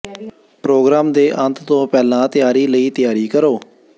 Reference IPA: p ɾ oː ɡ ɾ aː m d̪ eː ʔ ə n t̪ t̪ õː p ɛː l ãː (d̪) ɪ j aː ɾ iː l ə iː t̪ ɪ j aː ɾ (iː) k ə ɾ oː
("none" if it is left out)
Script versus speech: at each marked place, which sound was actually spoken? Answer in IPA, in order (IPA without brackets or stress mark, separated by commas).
t̪, iː